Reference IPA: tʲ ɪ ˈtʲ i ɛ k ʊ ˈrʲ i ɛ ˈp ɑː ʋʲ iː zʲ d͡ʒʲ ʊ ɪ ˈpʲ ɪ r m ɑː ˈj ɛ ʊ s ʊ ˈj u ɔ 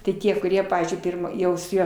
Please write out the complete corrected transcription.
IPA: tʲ ɪ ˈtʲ i ɛ k ʊ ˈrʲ i ɛ ˈp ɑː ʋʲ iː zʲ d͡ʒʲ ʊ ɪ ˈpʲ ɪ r m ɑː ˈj ɛ ʊ s ʊ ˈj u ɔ